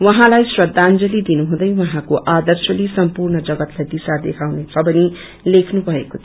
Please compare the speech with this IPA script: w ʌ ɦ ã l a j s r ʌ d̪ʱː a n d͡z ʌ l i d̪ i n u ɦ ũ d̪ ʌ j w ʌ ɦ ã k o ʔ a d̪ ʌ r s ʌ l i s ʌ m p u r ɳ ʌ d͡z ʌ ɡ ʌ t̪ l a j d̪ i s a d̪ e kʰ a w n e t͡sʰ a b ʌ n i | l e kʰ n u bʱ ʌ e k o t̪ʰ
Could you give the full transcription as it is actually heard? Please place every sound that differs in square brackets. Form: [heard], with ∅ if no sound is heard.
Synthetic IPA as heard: w ʌ ɦ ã l a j s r ʌ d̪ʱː a n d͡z ʌ l i d̪ i n u ɦ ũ d̪ ʌ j w ʌ ɦ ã k o ʔ a d̪ ʌ r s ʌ l i s ʌ m p u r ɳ ʌ d͡z ʌ ɡ ʌ t̪ l a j d̪ i s a d̪ e kʰ a w n e t͡sʰ [ʌ] b ʌ n i | l e kʰ n u bʱ ʌ e k o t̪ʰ

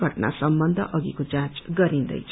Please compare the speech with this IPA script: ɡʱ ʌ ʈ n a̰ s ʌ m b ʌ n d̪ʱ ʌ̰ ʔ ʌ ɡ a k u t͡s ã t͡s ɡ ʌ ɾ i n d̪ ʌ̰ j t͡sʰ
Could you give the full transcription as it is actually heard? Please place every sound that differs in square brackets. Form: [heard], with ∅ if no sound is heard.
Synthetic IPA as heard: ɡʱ ʌ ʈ n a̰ s ʌ m b ʌ n d̪ʱ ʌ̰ ʔ ʌ ɡ [i] k [o] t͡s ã t͡s ɡ ʌ ɾ i n d̪ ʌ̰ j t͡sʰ

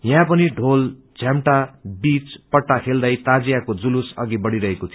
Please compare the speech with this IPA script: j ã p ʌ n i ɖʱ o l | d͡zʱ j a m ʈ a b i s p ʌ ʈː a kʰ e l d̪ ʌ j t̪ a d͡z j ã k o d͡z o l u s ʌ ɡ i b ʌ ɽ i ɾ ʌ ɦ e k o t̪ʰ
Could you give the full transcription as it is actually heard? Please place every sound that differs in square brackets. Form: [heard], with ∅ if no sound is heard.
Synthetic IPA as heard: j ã p ʌ n i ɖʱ o l | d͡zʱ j a m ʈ a b i [t͡s] p ʌ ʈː a kʰ e l d̪ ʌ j t̪ a d͡z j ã k o d͡z [u] l u s ʌ ɡ i b ʌ ɽ i ɾ ʌ ɦ e k o t̪ʰ

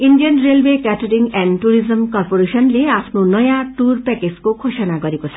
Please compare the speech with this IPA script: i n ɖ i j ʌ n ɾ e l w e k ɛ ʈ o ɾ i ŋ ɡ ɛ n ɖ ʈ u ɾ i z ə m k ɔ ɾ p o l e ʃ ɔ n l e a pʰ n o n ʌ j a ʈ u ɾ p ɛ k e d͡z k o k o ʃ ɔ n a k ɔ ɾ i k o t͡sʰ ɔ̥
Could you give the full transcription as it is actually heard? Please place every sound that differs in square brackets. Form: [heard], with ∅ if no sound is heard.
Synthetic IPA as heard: i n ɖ i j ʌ n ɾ e l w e k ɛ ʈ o ɾ i ŋ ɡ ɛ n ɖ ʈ u ɾ i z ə m k ɔ ɾ p o [ɾ] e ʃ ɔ n l e a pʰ n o n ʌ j a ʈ u ɾ p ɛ k e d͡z k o [kʰ] o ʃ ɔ n a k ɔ ɾ i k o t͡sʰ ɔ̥

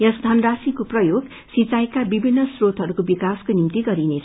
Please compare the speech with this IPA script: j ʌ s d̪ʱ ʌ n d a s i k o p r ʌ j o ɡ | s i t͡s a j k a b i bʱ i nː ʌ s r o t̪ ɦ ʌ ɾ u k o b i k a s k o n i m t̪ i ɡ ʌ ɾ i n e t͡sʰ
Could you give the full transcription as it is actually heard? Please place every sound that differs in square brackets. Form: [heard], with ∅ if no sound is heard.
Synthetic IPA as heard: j ʌ s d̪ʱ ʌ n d a s i k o p r ʌ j o ɡ | s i t͡s a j k a b i bʱ i nː ʌ s r o t̪ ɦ ʌ ɾ u k o b i k a s k o n i m t̪ i ɡ ʌ ɾ i n e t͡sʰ

